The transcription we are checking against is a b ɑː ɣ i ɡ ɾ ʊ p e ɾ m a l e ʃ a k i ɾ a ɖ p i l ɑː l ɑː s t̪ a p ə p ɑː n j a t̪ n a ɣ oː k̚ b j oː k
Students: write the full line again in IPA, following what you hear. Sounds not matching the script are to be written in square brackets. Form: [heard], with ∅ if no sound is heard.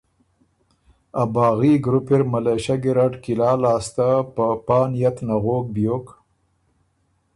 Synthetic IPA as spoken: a b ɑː ɣ i ɡ ɾ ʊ p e ɾ m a l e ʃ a [ɡ] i ɾ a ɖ [k] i l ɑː l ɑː s t̪ a p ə p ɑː n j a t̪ n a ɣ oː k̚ b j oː k